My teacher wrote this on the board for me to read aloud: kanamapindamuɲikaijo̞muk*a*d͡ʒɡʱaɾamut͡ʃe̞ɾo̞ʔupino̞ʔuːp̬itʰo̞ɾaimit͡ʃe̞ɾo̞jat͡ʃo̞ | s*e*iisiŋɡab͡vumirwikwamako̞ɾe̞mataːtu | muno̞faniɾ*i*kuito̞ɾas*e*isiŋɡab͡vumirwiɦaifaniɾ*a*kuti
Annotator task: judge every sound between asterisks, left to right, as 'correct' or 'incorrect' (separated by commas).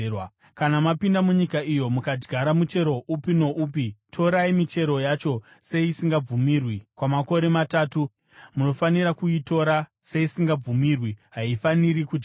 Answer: correct, correct, incorrect, correct, incorrect